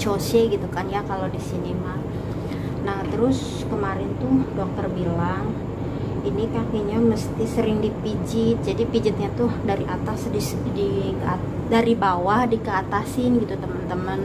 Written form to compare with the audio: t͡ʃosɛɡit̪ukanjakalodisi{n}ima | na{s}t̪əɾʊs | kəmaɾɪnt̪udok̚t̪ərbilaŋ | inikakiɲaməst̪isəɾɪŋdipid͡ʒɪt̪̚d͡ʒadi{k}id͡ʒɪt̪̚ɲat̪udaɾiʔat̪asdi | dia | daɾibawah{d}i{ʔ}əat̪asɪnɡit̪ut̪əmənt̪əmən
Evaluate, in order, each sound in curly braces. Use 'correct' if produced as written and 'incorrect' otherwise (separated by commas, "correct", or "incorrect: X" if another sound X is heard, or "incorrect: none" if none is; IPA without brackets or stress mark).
correct, incorrect: h, incorrect: p, correct, incorrect: k